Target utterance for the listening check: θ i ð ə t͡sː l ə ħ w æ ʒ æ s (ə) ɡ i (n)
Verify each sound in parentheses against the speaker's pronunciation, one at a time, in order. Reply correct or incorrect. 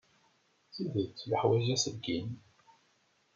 correct, correct

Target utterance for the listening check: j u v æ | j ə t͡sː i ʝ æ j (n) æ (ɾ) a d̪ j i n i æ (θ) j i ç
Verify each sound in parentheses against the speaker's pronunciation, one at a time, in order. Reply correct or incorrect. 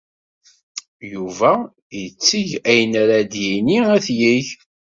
correct, correct, correct

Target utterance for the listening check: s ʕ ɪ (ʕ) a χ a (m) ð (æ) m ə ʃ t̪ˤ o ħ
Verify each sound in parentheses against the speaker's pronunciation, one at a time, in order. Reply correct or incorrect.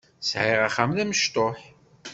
incorrect: ʁ, correct, correct

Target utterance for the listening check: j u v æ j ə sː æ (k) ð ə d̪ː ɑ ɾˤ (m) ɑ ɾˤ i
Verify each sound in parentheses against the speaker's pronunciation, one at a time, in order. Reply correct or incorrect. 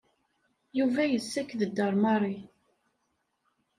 correct, correct

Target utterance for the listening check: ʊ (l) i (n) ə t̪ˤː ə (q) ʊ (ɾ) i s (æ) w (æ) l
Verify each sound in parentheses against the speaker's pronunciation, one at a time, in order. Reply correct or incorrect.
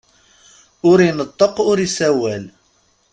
incorrect: ɾ, correct, correct, correct, correct, correct

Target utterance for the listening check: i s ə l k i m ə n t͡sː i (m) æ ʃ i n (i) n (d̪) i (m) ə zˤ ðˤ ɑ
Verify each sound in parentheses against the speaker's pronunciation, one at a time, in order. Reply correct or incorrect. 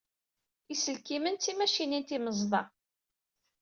correct, correct, incorrect: t̪, correct

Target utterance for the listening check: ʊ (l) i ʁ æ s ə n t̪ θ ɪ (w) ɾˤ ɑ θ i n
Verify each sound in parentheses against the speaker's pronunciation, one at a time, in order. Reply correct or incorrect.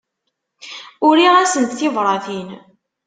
incorrect: ɾ, incorrect: v

